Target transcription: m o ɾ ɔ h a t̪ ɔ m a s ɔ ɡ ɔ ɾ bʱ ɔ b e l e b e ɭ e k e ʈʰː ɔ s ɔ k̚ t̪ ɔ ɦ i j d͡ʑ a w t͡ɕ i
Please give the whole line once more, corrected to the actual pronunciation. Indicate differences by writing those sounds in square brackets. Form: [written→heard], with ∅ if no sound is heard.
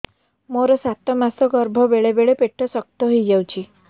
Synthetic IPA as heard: m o ɾ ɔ [h→s] a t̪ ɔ m a s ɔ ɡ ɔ ɾ bʱ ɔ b e [l→ɭ] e b e ɭ e [k→p] e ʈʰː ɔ s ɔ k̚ t̪ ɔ ɦ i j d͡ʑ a w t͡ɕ i

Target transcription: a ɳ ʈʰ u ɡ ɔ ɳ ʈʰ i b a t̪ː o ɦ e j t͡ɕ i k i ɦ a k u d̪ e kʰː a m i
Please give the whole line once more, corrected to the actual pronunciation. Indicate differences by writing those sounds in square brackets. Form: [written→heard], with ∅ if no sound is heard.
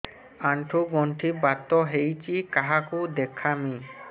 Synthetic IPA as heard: a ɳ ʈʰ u ɡ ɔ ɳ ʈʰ i b a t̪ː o ɦ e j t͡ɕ i k [i→a] ɦ a k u d̪ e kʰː a m i

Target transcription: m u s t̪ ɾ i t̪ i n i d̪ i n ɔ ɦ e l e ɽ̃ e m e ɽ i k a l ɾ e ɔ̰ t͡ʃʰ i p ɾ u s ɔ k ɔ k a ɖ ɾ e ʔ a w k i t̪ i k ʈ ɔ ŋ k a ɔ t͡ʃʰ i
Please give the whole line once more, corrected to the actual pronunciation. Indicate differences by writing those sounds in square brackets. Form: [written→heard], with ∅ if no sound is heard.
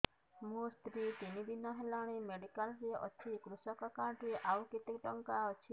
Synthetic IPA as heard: m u s t̪ ɾ i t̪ i n i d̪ i n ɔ ɦ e l [e→a] ɽ̃ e m e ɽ i k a l ɾ e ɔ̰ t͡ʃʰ i [p→k] ɾ u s ɔ k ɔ k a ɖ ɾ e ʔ a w k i t̪ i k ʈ ɔ ŋ k a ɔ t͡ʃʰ i

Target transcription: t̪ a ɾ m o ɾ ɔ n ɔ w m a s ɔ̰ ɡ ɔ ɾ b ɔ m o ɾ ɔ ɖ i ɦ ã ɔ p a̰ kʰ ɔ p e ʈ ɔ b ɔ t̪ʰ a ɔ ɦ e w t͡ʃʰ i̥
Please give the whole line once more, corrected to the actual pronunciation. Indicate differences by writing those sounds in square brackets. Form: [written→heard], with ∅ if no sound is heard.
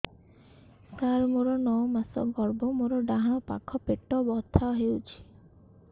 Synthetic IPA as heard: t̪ a ɾ m o ɾ ɔ n ɔ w m a s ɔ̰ ɡ ɔ ɾ b ɔ m o ɾ ɔ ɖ [i→a] ɦ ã ɔ p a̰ kʰ ɔ p e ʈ ɔ b ɔ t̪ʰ a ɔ ɦ e w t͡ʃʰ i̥

